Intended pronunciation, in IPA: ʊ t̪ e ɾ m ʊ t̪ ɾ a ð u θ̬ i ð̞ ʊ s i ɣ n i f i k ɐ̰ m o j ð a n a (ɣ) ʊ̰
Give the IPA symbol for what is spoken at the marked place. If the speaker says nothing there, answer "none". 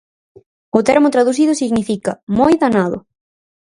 ð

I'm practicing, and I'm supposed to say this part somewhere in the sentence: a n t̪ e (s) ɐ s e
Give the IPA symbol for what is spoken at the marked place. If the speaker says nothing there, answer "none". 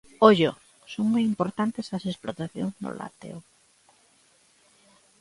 s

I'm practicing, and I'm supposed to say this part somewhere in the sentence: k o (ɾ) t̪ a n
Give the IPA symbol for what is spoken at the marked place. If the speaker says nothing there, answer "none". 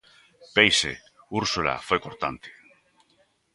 ɾ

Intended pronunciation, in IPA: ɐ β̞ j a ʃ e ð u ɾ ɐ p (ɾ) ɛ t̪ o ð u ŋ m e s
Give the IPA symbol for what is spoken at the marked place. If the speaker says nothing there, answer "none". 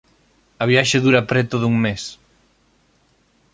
ɾ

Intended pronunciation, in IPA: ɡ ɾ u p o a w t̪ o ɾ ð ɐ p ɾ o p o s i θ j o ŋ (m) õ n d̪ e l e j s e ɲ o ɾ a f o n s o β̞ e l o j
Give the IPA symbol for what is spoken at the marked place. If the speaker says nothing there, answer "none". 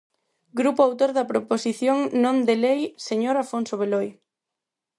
n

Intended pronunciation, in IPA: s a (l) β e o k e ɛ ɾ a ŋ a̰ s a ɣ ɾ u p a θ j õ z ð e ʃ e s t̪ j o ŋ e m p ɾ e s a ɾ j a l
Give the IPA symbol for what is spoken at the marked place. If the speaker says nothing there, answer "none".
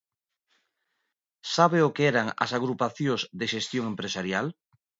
none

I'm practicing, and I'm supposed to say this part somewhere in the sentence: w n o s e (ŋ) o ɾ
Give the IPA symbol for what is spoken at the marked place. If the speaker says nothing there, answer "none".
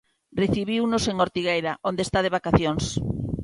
ŋ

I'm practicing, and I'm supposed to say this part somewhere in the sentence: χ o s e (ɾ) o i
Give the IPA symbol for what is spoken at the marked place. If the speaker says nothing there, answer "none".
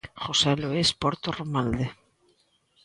l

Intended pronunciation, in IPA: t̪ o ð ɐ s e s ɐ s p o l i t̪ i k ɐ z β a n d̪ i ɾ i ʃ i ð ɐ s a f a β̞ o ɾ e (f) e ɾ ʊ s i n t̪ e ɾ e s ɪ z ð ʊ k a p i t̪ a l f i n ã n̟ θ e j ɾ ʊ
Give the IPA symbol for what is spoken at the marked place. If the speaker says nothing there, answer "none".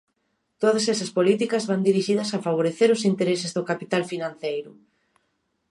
θ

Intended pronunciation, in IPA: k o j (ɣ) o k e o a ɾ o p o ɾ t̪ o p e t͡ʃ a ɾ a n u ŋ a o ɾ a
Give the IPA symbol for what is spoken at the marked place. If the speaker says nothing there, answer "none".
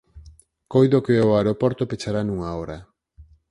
ð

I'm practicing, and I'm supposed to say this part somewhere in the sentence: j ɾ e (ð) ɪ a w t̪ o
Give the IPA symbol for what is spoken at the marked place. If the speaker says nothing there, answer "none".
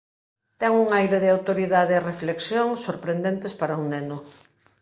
ð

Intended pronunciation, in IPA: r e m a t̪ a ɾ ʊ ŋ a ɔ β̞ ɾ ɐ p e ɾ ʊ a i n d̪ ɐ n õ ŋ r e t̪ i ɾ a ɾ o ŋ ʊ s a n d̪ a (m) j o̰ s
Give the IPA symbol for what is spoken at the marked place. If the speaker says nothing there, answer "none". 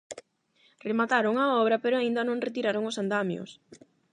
m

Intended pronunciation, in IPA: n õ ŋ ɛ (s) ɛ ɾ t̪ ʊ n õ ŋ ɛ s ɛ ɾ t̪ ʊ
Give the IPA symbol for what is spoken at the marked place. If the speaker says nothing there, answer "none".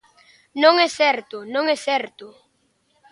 s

